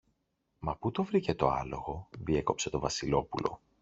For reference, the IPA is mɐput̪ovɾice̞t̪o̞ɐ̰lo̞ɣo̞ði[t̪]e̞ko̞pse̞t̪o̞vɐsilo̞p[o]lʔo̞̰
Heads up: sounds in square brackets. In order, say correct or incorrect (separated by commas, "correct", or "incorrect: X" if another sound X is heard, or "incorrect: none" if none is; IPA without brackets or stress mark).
incorrect: none, incorrect: u